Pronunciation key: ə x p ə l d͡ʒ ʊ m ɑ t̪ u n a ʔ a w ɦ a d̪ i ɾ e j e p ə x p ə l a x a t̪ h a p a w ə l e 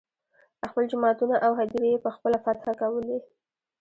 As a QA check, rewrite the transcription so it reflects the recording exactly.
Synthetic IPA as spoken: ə x p ə l d͡ʒ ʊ m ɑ t̪ u n a ʔ a w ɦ a d̪ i ɾ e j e p ə x p ə l a f a t̪ x a k a w ə l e